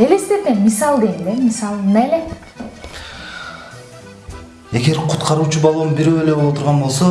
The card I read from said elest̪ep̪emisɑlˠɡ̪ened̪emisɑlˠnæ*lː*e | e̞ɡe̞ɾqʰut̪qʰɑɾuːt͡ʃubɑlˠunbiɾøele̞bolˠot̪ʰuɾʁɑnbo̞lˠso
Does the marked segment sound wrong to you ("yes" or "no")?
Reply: yes